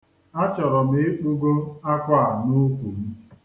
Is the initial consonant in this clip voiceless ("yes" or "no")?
yes